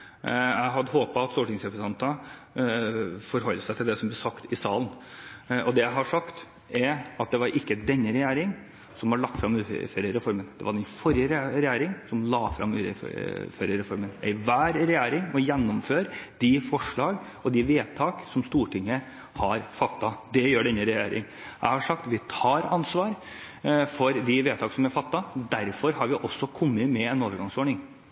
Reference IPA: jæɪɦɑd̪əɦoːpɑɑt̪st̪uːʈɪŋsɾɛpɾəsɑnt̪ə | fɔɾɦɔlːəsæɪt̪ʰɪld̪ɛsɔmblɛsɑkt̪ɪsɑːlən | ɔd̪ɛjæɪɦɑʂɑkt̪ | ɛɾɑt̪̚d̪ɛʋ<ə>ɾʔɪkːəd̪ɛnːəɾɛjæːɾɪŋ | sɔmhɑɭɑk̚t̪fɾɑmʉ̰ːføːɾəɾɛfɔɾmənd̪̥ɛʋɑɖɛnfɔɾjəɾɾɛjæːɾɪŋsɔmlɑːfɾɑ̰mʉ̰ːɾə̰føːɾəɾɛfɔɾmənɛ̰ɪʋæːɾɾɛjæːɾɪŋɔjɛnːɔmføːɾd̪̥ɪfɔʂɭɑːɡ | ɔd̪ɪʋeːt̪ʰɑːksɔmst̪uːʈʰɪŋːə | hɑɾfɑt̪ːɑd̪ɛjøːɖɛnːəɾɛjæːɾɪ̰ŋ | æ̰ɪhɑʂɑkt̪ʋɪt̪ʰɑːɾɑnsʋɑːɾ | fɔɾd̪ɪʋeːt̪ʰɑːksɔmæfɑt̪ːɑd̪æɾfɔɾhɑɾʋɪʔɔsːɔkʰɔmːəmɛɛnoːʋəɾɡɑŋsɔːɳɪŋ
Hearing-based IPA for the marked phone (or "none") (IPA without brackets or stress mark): ɑ